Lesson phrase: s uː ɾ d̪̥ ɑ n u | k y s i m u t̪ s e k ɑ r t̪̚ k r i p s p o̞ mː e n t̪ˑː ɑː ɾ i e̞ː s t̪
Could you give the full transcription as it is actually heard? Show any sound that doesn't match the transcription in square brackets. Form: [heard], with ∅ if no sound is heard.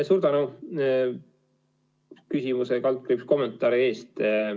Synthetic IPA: s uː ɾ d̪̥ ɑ n u | k y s i m u [∅] s e k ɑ [l] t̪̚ k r i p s [k] o̞ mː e n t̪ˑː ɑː ɾ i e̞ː s t̪

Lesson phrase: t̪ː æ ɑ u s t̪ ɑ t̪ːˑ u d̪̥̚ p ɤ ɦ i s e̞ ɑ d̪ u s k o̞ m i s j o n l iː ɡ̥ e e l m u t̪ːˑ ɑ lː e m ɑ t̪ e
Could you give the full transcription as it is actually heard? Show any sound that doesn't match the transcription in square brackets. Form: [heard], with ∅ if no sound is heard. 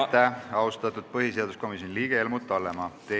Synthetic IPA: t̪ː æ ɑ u s t̪ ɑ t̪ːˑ u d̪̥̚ p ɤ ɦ i s e̞ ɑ d̪ u s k o̞ m i s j o n l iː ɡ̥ e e l m u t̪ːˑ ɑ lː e m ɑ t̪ e

